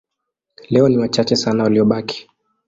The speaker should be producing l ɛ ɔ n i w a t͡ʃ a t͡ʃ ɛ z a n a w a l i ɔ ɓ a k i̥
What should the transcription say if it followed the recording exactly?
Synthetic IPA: l ɛ ɔ n i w a t͡ʃ a t͡ʃ ɛ s a n a w a l i ɔ ɓ a k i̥

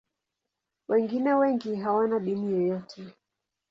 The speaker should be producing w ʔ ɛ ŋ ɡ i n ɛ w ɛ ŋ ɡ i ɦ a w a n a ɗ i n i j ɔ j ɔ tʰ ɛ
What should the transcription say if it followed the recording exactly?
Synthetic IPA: w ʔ ɛ ŋ ɡ i n ɛ w ɛ ŋ ɡ i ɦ a w a n a ɗ i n i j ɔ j ɔ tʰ ɛ

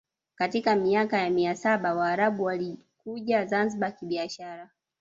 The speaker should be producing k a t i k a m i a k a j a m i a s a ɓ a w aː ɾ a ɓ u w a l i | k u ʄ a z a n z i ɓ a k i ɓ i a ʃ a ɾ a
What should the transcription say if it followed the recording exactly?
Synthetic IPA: k a t i k a m i a k a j a m i a s a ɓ a w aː ɾ a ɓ u w a l i | k u ʄ a z a n z i ɓ a k i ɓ i a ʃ a ɾ a

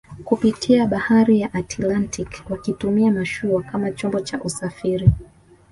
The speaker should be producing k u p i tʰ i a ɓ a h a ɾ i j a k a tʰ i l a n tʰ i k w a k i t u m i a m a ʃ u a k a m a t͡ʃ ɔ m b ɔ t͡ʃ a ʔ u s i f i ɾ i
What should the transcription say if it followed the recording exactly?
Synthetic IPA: k u p i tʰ i a ɓ a h a ɾ i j a ʔ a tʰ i l a n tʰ i k w a k i t u m i a m a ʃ u a k a m a t͡ʃ ɔ m b ɔ t͡ʃ a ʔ u s a f i ɾ i

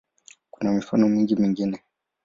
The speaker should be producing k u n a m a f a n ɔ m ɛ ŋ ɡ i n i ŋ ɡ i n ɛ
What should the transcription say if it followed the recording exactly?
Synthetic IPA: k u n a m i f a n ɔ m i ŋ ɡ i m i ŋ ɡ i n ɛ

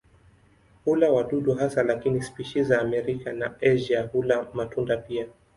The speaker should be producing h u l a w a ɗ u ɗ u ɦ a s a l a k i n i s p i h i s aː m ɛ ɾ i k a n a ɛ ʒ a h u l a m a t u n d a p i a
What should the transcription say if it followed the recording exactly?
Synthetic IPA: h u l a w a ɗ u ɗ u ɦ a s a l a k i n i s p i ʃ i z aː m ɛ ɾ i k a n a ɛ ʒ a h u l a m a t u n d a p i a

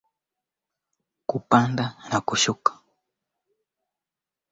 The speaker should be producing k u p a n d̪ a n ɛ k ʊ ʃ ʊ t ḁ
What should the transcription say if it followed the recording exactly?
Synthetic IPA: k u p a n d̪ a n a k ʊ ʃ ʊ k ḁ

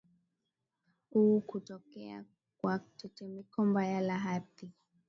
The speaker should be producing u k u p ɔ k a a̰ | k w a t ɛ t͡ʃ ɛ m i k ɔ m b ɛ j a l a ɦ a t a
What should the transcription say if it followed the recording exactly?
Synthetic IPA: u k u t ɔ k ɛ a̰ | k w a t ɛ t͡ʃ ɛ m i k ɔ m b a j a l a ɦ a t i

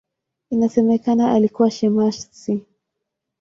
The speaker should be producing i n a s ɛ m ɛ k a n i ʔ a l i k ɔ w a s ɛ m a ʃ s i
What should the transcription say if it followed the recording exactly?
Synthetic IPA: i n a s ɛ m ɛ k a n a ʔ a l i k u w a ʃ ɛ m a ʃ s i

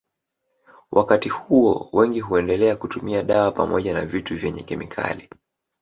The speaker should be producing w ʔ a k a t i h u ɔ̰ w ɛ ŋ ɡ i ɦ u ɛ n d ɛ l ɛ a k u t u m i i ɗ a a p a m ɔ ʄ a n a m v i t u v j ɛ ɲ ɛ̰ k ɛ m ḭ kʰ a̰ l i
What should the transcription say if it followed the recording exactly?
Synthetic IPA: w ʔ a k a t i h u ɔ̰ w ɛ ŋ ɡ i ɦ u ɛ n d ɛ l ɛ a k u t u m i a ɗ a a p a m ɔ ʄ a n a v i t u v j ɛ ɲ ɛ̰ k ɛ m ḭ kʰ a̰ l i

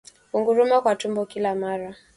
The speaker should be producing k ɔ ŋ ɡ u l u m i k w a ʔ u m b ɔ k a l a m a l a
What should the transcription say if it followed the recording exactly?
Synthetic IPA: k u ŋ ɡ u ɾ u m a k w a t u m b ɔ k i l a m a ɾ a

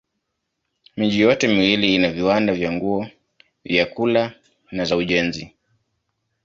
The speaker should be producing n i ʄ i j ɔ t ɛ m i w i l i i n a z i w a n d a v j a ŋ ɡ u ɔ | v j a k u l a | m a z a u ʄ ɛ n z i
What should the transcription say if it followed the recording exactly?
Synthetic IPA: m i ʄ i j ɔ t ɛ m i w i l i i n a v i w a n d a v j a ŋ ɡ u ɔ | v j a k u l a | n a z a u ʄ ɛ n z i

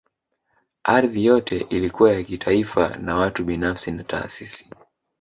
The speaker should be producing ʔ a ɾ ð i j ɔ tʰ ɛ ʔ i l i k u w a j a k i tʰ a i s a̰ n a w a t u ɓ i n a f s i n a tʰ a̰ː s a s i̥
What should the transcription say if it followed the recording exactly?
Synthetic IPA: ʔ a ɾ ð i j ɔ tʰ ɛ ʔ i l i k u w a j a k i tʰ a i f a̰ n a w a t u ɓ i n a f s i n a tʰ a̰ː s i s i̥

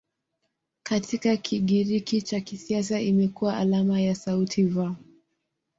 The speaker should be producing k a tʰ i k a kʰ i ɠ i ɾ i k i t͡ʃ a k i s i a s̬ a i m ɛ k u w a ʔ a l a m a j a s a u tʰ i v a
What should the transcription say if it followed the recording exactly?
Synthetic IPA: k a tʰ i k a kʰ i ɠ i ɾ i k i t͡ʃ a k i s i a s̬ a i m ɛ k u w a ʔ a l a m a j a s a u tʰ i v a

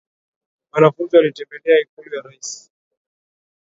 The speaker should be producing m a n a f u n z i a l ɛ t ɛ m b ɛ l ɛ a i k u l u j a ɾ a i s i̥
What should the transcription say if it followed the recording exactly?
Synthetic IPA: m a n a f u n z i a l i t ɛ m b ɛ l ɛ a i k u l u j a ɾ a i s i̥

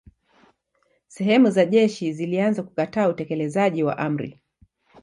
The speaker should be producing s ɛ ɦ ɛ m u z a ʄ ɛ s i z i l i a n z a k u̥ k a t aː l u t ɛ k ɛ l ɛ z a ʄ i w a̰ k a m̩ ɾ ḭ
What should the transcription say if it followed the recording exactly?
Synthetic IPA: s ɛ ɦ ɛ m u z a ʄ ɛ ʃ i z i l i a n z a k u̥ k a t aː u t ɛ k ɛ l ɛ z a ʄ i w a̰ ʔ a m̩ ɾ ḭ

